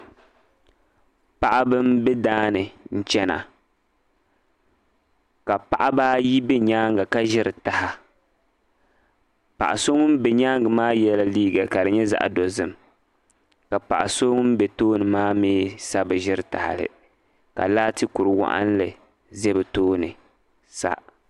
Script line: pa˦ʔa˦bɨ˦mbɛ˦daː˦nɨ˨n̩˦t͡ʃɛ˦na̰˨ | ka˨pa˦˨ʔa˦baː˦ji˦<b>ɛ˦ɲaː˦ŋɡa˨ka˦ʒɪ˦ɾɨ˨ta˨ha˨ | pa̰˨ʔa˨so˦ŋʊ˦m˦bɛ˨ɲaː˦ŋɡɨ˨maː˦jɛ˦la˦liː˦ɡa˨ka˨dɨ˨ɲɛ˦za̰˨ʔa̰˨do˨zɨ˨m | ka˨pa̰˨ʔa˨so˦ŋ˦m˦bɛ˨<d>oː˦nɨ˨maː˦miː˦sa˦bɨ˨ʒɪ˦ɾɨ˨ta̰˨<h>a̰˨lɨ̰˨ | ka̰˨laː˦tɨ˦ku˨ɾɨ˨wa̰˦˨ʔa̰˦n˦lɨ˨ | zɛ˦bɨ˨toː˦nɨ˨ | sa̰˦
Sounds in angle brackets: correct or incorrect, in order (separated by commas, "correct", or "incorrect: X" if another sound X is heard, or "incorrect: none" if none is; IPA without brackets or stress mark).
correct, incorrect: t, correct